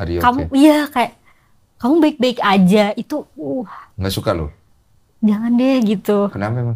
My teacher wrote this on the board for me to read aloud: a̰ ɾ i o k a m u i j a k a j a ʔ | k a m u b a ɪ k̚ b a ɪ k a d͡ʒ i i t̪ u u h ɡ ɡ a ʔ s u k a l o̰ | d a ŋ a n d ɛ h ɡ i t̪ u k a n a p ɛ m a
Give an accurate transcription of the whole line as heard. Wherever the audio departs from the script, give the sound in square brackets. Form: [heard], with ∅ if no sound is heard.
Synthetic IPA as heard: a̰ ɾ i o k a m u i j a k a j a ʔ | k a m u b a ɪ k̚ b a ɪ k a d͡ʒ [a] i t̪ u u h [ŋ] ɡ a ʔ s u k a l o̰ | [d͡ʒ] a ŋ a n d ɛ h ɡ i t̪ u k [ə] n a p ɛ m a